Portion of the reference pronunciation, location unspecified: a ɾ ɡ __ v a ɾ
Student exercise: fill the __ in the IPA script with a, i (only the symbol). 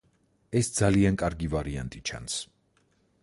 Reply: i